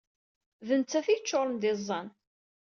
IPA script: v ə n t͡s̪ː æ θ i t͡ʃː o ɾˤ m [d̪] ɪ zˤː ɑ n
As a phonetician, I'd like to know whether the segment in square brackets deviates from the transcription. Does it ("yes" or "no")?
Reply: no